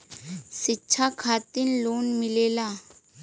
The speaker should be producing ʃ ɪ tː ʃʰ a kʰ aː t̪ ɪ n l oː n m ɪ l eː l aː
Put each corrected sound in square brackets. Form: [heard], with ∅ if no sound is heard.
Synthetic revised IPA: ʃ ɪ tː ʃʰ a kʰ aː t̪ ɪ n l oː n m ɪ l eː l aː